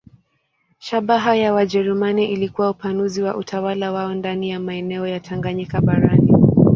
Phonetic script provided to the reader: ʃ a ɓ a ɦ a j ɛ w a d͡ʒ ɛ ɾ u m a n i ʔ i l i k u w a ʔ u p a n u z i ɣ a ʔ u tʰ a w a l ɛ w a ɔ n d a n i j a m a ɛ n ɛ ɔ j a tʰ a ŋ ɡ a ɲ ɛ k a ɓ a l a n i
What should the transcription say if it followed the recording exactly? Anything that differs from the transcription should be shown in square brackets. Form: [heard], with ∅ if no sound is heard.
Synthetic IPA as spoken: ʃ a ɓ a ɦ a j [a] w a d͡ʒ ɛ ɾ u m a n i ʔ i l i k u w a [∅] u p a n u z i [w] a ʔ u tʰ a w a l [a] w a ɔ n d a n i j a m a ɛ n ɛ ɔ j a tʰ a ŋ ɡ a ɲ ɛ k a ɓ a [ɾ] a n i